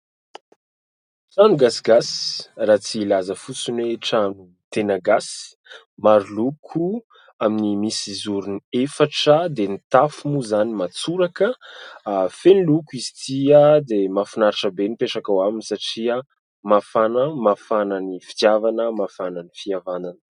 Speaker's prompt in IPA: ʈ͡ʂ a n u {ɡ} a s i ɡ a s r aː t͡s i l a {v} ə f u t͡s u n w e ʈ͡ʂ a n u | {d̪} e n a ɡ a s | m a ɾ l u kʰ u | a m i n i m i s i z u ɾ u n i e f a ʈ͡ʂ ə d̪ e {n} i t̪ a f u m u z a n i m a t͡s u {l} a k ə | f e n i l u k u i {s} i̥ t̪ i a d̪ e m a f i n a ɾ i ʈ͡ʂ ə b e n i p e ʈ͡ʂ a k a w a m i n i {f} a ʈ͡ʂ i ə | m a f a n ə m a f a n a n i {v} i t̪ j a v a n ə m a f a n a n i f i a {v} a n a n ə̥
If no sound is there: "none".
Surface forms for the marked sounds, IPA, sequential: ɡ, z, t̪, n, ɾ, z, s, f, v

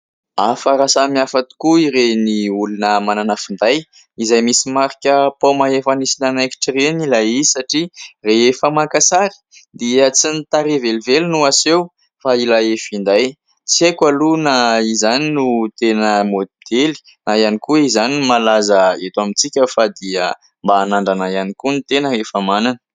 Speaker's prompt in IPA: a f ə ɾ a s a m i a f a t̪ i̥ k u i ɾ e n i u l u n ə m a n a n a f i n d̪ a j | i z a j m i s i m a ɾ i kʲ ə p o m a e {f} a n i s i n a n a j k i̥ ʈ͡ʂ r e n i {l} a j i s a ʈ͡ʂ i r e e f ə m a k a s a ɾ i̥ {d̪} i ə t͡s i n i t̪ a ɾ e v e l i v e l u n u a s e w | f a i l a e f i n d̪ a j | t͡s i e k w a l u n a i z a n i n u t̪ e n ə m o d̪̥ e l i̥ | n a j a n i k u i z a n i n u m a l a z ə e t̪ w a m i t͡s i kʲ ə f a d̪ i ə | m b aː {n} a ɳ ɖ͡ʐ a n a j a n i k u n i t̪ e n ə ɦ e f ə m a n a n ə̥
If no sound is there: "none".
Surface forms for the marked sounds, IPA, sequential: f, l, d̪, n

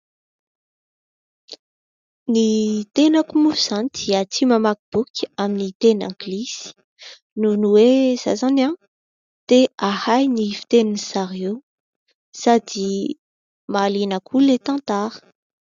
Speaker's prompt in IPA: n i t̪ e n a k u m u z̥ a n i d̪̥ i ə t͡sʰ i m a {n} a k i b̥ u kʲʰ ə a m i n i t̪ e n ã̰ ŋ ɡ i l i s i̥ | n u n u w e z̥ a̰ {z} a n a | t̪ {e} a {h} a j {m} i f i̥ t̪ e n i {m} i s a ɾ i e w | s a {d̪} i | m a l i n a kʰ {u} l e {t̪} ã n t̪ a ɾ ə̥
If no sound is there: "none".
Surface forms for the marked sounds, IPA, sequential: m, z, e, h, n, n, d̪, u, t̪

